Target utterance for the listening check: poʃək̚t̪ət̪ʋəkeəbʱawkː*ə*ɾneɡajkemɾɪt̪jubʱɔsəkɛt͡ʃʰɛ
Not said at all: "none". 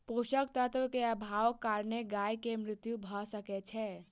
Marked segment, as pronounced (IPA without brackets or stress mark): a